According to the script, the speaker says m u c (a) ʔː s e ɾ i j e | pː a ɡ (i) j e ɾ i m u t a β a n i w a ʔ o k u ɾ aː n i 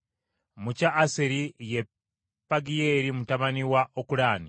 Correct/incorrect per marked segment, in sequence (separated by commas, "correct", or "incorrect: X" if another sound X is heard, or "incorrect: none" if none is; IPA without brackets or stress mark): correct, correct